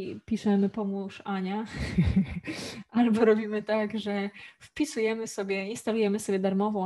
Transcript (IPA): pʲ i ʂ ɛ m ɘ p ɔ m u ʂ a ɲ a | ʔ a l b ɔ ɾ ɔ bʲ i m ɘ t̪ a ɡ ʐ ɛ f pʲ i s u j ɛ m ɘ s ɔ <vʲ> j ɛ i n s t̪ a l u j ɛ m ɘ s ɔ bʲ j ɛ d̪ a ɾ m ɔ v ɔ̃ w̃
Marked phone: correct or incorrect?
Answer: incorrect